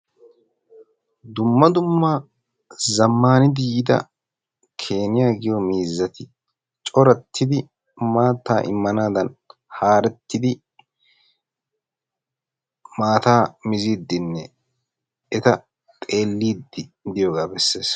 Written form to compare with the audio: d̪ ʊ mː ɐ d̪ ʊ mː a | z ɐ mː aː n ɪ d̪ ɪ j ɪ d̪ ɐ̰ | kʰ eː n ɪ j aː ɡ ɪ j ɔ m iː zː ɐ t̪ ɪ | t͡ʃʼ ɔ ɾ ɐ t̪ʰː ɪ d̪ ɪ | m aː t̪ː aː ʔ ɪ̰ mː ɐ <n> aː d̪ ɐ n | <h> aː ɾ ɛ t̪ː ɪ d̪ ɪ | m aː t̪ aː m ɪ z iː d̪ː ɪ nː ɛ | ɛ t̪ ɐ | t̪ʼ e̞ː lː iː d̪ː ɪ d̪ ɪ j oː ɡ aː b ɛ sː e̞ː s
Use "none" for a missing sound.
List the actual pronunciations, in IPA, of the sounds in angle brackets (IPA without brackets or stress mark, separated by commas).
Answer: n, h